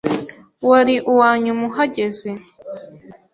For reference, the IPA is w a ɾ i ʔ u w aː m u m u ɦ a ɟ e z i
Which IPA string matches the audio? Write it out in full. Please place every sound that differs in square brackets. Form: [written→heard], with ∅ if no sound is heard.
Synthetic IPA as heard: w a ɾ i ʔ u w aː [m→ɲ] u m u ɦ a ɟ e z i